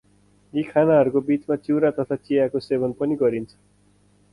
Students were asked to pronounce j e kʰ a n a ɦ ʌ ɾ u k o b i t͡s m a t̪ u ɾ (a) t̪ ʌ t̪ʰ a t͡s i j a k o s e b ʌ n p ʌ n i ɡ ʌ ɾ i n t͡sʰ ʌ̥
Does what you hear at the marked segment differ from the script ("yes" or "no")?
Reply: no